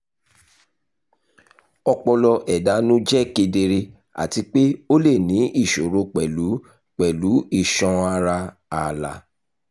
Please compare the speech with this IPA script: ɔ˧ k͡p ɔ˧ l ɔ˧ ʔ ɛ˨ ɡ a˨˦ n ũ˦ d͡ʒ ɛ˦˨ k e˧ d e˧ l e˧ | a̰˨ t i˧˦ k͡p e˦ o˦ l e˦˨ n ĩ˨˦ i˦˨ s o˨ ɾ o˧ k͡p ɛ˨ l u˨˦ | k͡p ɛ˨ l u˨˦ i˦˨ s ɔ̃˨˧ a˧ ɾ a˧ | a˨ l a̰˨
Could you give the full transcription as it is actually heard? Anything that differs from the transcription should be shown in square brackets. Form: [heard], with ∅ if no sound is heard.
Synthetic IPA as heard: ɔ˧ k͡p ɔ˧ l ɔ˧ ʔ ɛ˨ [d] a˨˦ n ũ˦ d͡ʒ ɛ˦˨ k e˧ d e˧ [ɾ] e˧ | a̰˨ t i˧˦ k͡p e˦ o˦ l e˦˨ n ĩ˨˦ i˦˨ [ʃ] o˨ ɾ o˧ k͡p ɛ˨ l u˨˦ | k͡p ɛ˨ l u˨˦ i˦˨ [ʃ] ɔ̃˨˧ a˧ ɾ a˧ | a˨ l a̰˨